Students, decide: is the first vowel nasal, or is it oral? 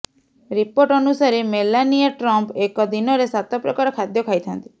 oral